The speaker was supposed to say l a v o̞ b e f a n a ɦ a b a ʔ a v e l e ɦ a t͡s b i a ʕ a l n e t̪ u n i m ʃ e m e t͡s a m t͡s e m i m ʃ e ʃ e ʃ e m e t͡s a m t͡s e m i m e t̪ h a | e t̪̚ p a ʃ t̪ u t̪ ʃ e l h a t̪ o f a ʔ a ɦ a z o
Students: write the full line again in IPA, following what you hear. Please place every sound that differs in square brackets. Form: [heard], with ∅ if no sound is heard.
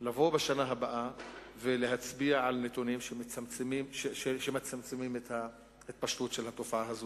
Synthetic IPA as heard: l a v o̞ b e [ʃ] a n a ɦ a b a ʔ a v e l e ɦ a t͡s b i a ʕ a l n e t̪ u n i m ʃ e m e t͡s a m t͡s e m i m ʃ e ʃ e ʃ e m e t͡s a m t͡s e m i m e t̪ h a | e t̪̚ p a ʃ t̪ u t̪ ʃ e l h a t̪ o f a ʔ a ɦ a z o